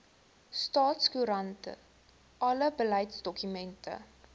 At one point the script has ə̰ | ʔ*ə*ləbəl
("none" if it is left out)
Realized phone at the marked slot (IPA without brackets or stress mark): ɐ